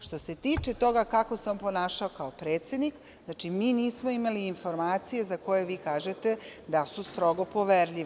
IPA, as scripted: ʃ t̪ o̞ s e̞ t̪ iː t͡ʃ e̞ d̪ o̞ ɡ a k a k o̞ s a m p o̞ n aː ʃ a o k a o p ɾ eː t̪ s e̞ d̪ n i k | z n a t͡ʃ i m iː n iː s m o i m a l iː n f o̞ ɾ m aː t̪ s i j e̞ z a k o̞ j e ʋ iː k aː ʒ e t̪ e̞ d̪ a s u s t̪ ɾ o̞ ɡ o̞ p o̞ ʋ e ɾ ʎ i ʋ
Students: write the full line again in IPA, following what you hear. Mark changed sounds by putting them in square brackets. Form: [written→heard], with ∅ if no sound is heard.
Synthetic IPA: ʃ t̪ o̞ s e̞ t̪ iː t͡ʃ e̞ [d̪→t̪] o̞ ɡ a k a k o̞ s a m p o̞ n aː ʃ a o k a o p ɾ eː t̪ s e̞ d̪ n i k | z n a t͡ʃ i m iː n iː s m o i m a l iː n f o̞ ɾ m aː t̪ s i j e̞ z a k o̞ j e ʋ iː k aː ʒ e t̪ e̞ d̪ a s u s t̪ ɾ o̞ ɡ o̞ p o̞ ʋ e ɾ ʎ i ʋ